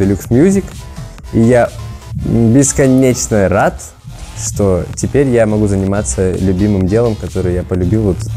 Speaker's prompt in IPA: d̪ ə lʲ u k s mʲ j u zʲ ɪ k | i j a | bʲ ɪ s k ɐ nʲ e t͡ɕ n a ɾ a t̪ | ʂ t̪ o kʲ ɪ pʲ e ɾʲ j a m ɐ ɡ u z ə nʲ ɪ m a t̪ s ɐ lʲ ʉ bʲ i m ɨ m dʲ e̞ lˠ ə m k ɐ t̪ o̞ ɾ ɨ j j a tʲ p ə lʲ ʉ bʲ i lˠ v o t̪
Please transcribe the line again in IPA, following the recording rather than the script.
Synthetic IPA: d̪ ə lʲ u k s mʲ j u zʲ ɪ k | i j a | bʲ ɪ s k ɐ nʲ e t͡ɕ n ə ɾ a t̪ | ʂ t̪ o tʲ ɪ pʲ e ɾʲ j a m ɐ ɡ u z ə nʲ ɪ m a t̪ s ə lʲ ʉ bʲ i m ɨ m dʲ e̞ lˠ ə m k ɐ t̪ o̞ ɾ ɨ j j a p ə lʲ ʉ bʲ i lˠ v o t̪